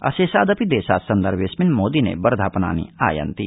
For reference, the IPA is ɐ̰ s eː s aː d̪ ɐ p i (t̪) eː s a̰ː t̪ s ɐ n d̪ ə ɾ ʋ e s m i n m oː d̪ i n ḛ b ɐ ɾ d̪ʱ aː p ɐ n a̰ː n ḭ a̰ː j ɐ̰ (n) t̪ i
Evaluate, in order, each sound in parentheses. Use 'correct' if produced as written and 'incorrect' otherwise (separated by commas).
incorrect, correct